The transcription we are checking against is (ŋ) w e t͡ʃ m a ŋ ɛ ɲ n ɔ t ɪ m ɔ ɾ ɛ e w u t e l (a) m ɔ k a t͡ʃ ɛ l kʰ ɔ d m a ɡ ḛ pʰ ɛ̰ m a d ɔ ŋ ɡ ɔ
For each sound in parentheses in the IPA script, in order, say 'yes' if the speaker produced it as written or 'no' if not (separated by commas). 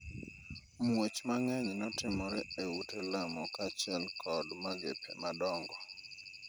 no, yes